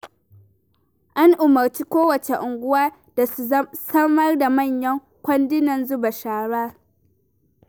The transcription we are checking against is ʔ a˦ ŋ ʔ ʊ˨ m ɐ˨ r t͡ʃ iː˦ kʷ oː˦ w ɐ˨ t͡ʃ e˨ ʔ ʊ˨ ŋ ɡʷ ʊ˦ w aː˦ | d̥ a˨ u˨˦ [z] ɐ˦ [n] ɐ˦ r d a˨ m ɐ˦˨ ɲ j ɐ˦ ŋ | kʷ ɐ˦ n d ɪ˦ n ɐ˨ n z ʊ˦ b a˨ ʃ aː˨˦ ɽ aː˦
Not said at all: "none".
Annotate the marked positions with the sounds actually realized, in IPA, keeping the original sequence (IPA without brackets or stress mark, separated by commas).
s, m